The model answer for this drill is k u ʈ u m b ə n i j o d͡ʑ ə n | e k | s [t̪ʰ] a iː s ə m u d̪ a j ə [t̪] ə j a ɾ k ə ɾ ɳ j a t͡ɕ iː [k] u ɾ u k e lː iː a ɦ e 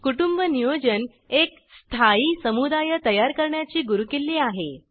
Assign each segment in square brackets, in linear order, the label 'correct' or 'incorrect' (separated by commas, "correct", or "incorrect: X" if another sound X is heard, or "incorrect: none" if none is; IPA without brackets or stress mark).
correct, correct, incorrect: ɡ